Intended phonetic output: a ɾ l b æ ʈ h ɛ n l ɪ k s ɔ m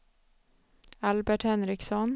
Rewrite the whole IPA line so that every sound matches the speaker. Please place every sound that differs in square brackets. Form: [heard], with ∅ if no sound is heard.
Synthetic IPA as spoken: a [∅] l b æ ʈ h ɛ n [ɾ] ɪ k s ɔ [n]